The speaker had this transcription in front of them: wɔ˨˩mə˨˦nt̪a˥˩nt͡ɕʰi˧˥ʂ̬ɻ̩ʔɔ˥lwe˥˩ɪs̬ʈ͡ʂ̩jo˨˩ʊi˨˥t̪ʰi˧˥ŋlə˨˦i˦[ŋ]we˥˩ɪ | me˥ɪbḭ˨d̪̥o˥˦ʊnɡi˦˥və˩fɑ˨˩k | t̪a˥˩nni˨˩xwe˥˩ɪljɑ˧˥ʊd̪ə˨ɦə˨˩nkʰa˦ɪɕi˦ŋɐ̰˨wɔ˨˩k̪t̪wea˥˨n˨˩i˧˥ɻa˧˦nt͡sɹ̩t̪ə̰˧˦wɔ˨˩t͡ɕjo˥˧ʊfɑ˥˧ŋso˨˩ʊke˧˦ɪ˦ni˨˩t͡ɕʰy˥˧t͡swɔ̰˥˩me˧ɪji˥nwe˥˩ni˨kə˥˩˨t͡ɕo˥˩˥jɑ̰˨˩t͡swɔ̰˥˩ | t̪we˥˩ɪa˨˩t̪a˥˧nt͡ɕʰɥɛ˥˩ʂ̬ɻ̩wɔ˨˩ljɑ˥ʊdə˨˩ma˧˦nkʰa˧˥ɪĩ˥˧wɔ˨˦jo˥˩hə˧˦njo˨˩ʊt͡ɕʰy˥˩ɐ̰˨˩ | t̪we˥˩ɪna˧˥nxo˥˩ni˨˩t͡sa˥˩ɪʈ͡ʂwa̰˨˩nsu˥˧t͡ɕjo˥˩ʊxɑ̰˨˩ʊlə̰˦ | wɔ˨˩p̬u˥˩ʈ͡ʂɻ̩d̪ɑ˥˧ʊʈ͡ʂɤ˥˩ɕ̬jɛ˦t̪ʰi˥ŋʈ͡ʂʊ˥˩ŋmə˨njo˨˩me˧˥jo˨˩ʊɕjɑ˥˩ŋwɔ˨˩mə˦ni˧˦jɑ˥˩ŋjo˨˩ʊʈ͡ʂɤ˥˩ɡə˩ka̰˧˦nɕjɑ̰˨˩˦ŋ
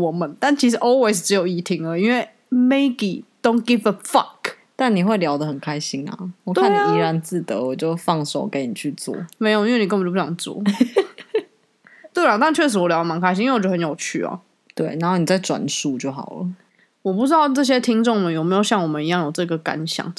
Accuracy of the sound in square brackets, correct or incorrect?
incorrect